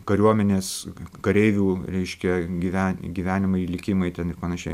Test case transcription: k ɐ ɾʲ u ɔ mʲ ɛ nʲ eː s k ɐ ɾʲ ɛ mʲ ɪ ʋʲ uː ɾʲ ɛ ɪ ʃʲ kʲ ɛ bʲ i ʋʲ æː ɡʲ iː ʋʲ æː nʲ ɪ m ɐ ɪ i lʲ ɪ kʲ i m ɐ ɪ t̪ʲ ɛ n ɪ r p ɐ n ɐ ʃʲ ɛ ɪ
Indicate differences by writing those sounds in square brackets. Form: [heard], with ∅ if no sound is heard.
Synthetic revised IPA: k ɐ ɾʲ u ɔ mʲ ɛ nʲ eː s k ɐ ɾʲ ɛ [∅] ɪ ʋʲ uː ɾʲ ɛ ɪ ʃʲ kʲ ɛ [ɡʲ] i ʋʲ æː ɡʲ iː ʋʲ æː nʲ ɪ m ɐ ɪ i lʲ ɪ kʲ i m ɐ ɪ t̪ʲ ɛ n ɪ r p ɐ n ɐ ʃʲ ɛ ɪ